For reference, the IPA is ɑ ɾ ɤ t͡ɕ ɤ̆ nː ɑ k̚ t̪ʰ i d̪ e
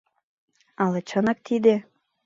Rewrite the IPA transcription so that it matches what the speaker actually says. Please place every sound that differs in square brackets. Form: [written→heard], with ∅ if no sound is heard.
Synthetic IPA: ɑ [ɾ→l] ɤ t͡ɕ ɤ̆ [nː→n] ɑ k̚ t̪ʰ i d̪ e

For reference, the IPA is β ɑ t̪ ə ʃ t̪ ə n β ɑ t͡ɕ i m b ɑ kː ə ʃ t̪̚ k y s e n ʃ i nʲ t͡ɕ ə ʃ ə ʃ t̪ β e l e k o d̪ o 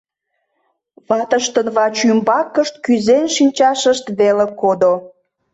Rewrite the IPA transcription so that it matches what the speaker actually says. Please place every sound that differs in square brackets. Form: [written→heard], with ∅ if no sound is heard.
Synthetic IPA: β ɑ t̪ ə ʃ t̪ ə n β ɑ t͡ɕ [i→y] m b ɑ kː ə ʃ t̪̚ k y [s→z] e n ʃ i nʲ t͡ɕ [ə→ɑ] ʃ ə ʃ t̪ β e l e k o d̪ o

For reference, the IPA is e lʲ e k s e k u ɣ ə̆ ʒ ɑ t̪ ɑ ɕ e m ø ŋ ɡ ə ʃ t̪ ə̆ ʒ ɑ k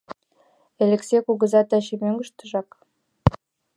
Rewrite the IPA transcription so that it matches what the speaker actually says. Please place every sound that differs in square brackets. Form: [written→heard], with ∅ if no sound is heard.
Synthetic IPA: e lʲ e k s e k u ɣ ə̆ [ʒ→z] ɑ t̪ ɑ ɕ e m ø ŋ ɡ ə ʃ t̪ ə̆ ʒ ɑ k

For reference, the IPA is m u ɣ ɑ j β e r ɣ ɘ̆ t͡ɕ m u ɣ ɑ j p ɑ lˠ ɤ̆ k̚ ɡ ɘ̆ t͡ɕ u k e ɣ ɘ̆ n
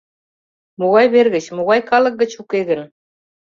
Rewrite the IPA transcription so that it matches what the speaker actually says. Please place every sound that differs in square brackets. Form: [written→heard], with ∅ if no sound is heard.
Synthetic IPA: m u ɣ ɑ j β e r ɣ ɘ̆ t͡ɕ m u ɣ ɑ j [p→k] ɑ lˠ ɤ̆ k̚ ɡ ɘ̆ t͡ɕ u k e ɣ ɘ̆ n

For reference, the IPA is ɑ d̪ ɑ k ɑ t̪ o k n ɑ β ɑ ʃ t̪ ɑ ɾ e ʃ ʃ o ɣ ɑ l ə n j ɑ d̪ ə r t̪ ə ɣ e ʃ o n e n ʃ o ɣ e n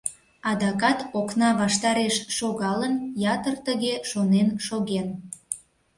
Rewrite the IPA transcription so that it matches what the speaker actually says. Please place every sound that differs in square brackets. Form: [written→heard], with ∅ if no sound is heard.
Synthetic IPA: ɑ d̪ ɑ k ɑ t̪ o k n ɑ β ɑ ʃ t̪ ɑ ɾ e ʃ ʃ o ɣ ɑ l ə n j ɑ [d̪→t̪] ə r t̪ ə ɣ e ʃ o n e n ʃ o ɣ e n

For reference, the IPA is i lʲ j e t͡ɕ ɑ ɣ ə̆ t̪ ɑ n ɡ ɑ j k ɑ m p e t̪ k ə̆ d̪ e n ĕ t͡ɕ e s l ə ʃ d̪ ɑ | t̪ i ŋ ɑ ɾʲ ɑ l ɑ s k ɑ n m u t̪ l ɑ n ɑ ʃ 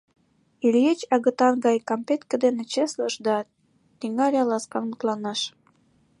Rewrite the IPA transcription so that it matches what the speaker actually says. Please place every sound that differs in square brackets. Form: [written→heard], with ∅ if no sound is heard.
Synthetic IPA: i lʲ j e t͡ɕ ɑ ɣ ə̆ t̪ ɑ n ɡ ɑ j k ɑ m p e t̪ k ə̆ d̪ e n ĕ t͡ɕ e s l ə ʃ d̪ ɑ | t̪ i ŋ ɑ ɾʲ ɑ l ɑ s k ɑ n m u t̪ l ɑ n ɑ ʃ

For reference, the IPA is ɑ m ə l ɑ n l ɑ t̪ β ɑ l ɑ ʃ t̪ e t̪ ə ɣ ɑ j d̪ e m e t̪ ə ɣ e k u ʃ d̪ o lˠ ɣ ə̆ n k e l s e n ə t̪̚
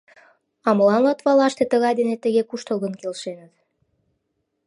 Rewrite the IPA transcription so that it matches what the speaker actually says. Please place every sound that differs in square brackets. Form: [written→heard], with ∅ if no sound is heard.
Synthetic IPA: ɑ m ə l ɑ n l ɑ t̪ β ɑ l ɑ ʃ t̪ e t̪ ə ɣ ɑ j d̪ e [m→n] e t̪ ə ɣ e k u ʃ [d̪→t̪] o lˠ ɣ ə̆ n k e l [s→ʃ] e n ə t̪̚

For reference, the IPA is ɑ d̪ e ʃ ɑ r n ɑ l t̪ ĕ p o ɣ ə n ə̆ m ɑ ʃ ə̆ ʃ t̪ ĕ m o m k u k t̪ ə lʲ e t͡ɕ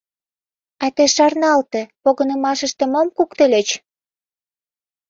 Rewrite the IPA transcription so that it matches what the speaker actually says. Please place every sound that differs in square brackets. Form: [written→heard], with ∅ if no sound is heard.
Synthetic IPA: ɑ [d̪→t̪] e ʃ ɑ r n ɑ l t̪ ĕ p o ɣ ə n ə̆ m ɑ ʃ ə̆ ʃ t̪ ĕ m o m k u k t̪ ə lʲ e t͡ɕ

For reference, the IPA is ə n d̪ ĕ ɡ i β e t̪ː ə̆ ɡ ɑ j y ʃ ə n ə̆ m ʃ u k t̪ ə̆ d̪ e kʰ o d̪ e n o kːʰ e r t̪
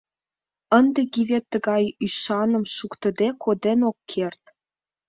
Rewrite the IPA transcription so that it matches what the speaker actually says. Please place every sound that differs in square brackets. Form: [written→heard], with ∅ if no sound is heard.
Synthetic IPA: ə n d̪ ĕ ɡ i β e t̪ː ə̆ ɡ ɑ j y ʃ [ə→ɑ] n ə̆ m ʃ u k t̪ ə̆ d̪ e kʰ o d̪ e n o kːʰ e r t̪

